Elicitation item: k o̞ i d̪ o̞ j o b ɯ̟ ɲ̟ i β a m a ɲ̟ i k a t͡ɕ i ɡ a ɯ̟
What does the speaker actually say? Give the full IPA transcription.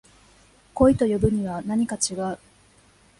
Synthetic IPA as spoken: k o̞ i t̪ o̞ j o b ɯ̟ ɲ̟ i β a n a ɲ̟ i k a t͡ɕ i ɡ a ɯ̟